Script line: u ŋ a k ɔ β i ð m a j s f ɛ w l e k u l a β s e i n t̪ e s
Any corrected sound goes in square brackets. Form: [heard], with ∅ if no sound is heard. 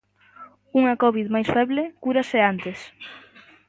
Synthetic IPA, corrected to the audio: u ŋ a k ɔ β i ð m a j s f ɛ [β] l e k u [ɾ] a [∅] s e [a] n t̪ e s